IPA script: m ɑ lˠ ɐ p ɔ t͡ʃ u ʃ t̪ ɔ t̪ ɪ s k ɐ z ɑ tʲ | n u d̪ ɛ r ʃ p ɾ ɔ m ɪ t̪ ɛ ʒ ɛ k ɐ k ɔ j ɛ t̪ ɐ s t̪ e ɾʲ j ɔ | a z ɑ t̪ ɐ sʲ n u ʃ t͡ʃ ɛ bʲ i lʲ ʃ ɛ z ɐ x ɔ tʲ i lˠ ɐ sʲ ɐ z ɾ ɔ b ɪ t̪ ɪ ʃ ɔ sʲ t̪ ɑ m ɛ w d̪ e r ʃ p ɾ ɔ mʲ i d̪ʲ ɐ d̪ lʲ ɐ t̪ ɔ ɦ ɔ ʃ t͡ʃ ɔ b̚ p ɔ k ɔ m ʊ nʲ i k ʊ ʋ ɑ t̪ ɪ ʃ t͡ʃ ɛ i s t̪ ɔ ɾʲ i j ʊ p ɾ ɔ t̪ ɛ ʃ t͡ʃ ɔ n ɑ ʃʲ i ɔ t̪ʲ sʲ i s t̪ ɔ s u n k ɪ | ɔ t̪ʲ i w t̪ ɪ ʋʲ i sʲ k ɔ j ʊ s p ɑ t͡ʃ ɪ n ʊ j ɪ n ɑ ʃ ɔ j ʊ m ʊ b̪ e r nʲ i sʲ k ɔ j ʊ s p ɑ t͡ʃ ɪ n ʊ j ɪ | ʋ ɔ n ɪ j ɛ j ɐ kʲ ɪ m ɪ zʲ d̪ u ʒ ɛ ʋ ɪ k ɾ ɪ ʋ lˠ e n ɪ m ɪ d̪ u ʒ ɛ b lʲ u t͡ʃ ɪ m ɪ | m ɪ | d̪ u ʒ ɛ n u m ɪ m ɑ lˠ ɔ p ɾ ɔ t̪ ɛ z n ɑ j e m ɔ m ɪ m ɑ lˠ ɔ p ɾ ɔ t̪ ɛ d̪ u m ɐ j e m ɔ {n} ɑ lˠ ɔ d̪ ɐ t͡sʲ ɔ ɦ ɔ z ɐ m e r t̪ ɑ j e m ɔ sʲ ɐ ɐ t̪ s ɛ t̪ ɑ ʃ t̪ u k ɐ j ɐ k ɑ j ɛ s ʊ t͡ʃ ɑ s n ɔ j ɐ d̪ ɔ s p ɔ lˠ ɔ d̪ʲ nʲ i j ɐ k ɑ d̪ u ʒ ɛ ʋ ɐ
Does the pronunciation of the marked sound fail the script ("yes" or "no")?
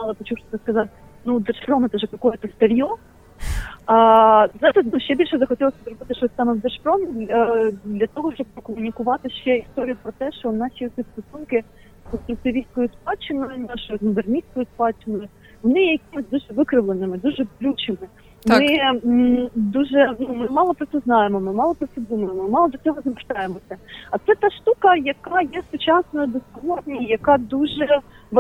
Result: yes